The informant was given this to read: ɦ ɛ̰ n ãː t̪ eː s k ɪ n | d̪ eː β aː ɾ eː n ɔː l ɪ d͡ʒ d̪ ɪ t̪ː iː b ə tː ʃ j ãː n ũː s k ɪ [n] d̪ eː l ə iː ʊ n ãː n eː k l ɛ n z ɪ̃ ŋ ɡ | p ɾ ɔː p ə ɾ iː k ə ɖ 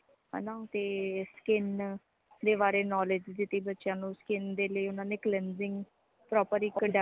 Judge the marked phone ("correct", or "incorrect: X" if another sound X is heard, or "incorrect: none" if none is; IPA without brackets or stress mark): correct